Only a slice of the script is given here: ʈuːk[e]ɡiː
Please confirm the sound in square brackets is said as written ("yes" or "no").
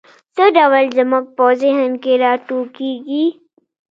no